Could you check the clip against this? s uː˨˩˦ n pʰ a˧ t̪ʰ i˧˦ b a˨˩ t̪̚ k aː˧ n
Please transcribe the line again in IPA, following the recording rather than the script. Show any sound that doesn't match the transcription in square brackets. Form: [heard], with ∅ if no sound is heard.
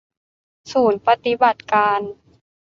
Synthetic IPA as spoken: s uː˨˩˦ n [p] a˧ [t̪] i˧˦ b a˨˩ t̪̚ k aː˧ n